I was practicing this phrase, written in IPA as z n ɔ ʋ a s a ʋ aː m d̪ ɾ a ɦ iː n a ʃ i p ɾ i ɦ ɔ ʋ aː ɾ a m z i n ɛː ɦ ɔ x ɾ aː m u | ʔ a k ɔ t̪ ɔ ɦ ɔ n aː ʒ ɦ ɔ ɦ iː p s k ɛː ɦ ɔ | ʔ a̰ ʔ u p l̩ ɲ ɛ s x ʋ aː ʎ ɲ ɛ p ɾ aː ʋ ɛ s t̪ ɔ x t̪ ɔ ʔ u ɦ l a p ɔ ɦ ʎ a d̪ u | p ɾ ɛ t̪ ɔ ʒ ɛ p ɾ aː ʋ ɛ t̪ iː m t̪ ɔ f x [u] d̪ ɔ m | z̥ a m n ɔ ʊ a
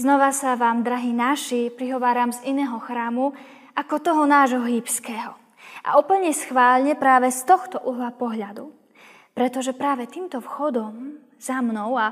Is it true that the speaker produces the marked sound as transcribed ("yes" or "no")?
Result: no